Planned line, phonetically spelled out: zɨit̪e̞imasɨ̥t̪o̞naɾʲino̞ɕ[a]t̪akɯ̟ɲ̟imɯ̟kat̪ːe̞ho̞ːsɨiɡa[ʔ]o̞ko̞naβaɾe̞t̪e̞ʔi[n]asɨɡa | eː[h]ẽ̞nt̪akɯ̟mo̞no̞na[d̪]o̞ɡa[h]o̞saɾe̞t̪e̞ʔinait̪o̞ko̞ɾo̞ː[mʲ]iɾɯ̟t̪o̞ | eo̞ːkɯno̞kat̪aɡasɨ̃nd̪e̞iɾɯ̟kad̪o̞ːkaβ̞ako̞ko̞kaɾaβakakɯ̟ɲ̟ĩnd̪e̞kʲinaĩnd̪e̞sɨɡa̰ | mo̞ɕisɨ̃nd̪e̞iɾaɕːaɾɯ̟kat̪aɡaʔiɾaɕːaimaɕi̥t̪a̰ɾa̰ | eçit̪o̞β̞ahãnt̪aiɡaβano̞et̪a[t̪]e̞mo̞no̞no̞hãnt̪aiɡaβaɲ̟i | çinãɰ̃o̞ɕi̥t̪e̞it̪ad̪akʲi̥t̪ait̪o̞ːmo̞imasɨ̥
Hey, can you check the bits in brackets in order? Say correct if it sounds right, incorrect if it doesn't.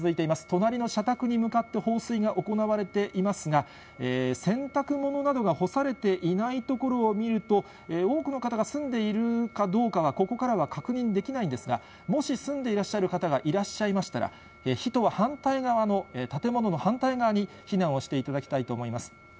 correct, correct, incorrect: m, incorrect: s, correct, correct, correct, correct

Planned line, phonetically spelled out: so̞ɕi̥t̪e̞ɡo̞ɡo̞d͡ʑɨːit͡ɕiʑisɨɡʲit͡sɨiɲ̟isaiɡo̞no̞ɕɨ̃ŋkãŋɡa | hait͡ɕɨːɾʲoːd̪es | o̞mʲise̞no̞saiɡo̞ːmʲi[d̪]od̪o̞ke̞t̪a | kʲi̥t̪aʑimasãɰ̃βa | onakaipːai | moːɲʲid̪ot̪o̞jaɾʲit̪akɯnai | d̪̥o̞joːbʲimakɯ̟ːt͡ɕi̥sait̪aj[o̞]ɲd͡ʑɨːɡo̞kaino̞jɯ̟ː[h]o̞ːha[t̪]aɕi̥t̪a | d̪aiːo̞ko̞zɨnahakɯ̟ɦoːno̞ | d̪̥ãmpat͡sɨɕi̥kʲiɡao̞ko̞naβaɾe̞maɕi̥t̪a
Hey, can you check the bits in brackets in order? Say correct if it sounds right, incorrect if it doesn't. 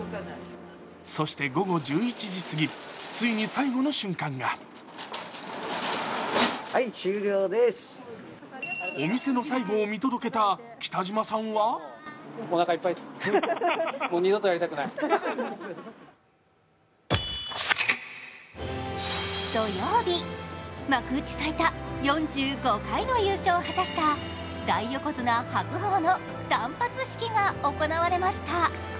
incorrect: t̪, incorrect: õ̞, incorrect: ɕ, correct

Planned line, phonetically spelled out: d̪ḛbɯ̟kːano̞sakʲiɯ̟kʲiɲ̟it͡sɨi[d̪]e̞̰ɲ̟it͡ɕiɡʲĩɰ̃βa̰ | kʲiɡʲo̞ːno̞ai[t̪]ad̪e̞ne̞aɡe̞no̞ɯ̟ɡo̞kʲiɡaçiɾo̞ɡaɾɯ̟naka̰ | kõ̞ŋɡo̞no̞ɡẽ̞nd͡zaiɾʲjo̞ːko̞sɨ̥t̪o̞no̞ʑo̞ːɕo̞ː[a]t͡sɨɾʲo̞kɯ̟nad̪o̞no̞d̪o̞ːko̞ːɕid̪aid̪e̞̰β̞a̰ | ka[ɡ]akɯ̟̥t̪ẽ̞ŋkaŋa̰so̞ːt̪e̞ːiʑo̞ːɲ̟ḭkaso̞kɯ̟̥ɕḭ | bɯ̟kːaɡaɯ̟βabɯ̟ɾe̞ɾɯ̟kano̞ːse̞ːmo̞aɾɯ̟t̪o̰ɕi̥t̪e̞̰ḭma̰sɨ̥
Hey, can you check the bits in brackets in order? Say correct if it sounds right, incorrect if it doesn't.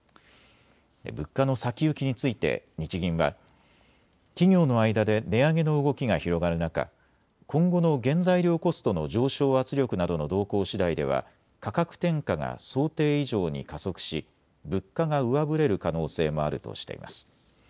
incorrect: t̪, incorrect: d̪, correct, incorrect: k

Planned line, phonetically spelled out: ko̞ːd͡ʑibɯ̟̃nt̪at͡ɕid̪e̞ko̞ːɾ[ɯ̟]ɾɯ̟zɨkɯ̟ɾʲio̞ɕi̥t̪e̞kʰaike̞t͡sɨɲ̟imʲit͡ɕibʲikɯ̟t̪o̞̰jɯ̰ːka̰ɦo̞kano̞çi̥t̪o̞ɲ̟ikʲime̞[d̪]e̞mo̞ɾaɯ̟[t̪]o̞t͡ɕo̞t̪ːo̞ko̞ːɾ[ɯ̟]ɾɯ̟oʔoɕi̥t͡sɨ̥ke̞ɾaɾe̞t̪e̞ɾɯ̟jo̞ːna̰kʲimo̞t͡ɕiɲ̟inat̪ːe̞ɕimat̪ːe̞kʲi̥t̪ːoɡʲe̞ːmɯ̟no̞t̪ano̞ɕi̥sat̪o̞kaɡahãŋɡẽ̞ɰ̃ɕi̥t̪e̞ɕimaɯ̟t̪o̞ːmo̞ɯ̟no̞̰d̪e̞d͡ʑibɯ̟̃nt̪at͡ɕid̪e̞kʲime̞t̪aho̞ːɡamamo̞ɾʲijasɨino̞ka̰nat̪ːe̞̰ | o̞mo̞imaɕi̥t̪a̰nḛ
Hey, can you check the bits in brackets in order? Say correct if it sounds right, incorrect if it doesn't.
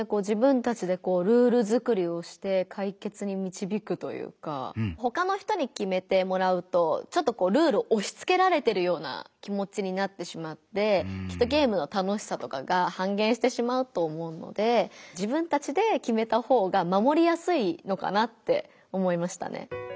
incorrect: ɯ̟ː, incorrect: t̪, correct, incorrect: ɯ̟ː

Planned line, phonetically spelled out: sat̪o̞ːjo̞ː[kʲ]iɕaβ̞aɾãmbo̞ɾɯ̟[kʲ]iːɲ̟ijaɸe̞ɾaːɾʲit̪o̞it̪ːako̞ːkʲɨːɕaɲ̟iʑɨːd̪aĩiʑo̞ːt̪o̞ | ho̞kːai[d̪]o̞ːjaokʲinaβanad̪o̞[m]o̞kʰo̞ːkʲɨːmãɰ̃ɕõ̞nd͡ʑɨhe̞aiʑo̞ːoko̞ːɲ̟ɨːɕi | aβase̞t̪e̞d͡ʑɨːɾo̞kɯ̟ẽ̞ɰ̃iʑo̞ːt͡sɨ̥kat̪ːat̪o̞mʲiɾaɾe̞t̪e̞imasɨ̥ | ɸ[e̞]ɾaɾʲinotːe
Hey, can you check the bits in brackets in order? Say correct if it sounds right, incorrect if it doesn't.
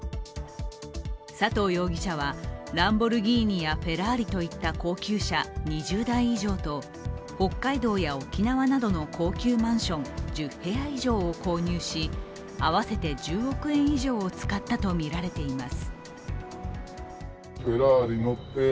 incorrect: ɡʲ, incorrect: ɡʲ, correct, incorrect: n, correct

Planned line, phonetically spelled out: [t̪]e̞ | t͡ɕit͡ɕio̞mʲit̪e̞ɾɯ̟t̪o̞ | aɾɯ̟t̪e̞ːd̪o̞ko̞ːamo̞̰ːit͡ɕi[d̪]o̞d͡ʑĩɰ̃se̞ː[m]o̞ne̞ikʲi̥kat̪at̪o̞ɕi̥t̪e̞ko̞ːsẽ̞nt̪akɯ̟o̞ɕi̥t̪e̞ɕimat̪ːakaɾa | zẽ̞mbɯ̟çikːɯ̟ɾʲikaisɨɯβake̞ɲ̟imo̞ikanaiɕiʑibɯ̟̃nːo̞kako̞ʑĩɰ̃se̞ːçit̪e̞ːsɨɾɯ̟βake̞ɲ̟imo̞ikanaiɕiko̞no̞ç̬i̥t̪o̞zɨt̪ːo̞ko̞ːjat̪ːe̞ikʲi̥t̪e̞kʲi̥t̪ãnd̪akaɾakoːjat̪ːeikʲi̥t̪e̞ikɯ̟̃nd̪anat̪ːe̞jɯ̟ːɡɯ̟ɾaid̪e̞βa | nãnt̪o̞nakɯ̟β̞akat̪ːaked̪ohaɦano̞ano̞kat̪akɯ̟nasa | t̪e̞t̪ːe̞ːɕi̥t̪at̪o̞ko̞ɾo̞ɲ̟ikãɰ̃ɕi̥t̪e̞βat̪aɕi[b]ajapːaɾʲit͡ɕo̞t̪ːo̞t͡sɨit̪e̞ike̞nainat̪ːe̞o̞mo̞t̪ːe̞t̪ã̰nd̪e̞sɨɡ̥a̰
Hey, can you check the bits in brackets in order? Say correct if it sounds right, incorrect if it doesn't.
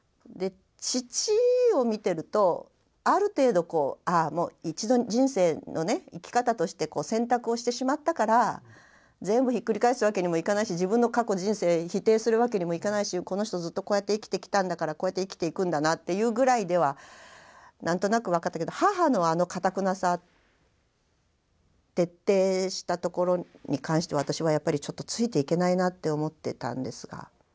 incorrect: d̪, correct, incorrect: n, incorrect: β

